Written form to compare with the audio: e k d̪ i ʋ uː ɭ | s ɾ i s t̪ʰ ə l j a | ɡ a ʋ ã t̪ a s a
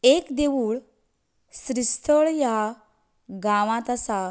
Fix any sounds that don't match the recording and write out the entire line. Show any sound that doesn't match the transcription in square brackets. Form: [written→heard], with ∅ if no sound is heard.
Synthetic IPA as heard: e k d̪ [i→e] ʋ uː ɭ | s ɾ i s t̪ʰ ə [l→ɭ] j a | ɡ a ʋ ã t̪ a s a